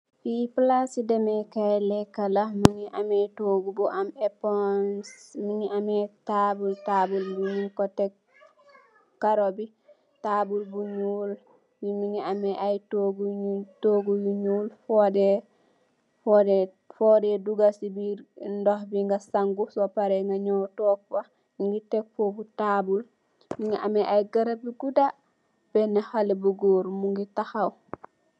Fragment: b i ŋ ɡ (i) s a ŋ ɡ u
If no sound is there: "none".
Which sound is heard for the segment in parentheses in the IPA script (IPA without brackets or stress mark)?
a